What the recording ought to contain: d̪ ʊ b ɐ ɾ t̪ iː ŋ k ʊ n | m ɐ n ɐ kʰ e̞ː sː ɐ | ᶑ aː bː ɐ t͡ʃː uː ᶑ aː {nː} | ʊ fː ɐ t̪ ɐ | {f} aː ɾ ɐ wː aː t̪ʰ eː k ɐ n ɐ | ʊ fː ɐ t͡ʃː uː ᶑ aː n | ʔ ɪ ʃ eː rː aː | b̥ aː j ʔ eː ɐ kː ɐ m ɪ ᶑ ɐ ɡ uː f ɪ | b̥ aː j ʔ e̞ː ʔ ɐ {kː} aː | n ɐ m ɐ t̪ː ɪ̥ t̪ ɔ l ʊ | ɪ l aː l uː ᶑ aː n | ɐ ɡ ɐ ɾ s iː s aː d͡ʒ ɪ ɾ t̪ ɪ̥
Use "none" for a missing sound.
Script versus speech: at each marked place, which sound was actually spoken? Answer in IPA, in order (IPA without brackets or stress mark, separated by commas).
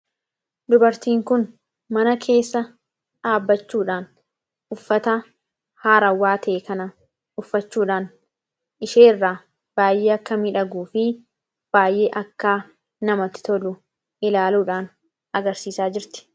n, h, kː